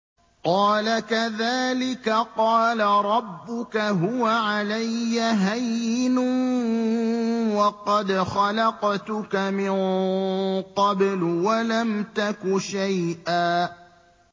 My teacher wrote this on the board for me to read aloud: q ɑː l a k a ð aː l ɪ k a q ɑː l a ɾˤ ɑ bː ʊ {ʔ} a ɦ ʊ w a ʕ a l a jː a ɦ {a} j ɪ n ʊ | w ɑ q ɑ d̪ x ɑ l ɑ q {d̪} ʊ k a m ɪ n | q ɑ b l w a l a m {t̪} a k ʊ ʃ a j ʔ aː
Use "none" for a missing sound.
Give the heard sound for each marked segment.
k, a, t̪, t̪

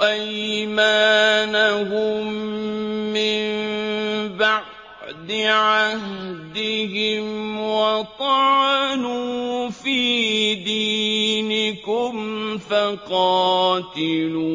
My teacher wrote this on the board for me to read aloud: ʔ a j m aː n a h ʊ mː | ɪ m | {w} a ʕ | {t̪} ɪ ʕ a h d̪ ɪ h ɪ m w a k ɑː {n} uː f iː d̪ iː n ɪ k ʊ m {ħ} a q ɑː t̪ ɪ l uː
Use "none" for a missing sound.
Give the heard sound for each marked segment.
b, d̪, n, f

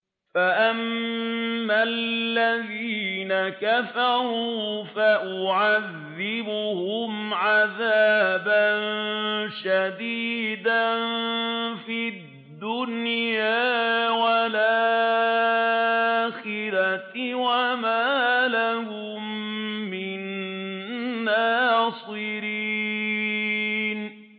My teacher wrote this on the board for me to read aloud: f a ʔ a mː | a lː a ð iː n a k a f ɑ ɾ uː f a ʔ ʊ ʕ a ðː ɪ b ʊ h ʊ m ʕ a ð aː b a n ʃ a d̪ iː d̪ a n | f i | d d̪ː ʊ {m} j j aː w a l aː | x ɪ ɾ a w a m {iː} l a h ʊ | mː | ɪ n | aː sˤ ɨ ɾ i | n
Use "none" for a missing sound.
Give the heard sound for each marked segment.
n, aː

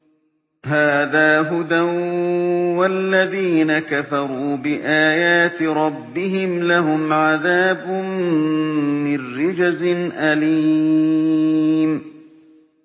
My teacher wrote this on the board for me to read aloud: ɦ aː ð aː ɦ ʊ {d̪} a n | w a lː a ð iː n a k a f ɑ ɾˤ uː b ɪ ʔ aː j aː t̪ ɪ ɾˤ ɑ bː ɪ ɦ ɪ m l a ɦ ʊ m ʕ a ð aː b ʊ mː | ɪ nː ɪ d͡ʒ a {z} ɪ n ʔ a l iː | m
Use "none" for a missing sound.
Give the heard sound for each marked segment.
d̪, z

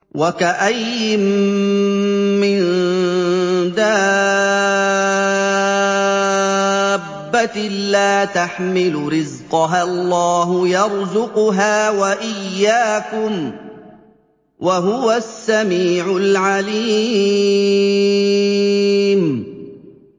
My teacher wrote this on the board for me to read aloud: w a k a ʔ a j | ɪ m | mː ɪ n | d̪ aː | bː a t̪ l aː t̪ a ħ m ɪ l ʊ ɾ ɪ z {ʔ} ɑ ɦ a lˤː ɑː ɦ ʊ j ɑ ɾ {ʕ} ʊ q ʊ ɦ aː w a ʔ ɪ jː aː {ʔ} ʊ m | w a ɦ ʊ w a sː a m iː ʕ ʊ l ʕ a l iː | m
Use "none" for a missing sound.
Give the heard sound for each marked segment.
q, z, k

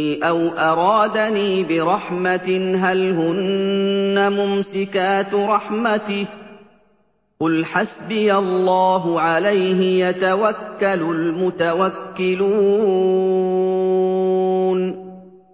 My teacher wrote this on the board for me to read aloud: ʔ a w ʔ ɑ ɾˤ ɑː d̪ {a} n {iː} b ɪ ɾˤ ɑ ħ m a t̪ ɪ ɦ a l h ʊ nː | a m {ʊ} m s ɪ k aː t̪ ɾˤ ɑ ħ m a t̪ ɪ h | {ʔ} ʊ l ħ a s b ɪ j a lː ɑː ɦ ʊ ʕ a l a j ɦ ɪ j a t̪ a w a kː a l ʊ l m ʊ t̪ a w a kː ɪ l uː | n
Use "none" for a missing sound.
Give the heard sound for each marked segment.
a, iː, ʊ, q

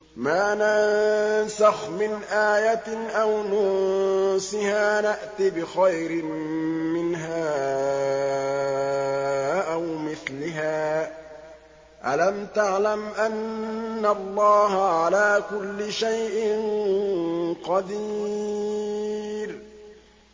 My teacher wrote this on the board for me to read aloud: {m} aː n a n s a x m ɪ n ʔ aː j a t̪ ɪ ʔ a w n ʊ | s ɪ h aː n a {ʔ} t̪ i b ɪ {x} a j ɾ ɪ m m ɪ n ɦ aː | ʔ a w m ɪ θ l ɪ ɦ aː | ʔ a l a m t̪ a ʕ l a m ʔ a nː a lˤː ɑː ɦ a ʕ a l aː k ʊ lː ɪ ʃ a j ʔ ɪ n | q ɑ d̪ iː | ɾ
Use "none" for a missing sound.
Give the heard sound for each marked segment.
m, ʔ, x

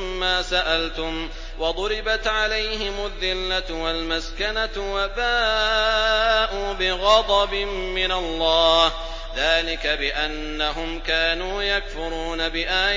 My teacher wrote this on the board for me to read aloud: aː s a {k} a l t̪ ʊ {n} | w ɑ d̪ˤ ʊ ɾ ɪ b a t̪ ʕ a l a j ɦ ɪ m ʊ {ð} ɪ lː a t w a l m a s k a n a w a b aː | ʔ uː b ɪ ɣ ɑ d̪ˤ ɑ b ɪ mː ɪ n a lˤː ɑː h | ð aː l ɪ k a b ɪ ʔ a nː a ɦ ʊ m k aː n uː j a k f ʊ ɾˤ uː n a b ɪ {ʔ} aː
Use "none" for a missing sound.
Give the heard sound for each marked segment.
ʔ, m, ðː, ʔ

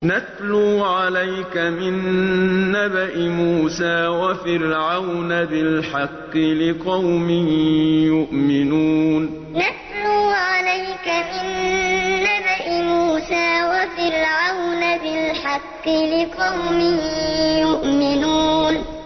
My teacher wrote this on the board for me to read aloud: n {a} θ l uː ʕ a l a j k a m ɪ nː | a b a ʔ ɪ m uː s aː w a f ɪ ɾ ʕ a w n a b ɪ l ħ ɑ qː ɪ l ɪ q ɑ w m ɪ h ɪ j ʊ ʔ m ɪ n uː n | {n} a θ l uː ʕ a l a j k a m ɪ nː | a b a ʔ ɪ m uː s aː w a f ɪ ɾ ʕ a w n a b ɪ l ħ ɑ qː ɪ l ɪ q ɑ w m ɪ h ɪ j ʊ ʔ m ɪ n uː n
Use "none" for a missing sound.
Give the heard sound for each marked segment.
a, n

